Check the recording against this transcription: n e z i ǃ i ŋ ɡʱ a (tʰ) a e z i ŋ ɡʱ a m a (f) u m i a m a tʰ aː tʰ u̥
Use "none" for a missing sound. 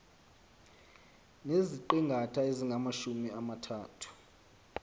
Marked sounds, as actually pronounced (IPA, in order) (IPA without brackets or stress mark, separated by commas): tʰ, ʃ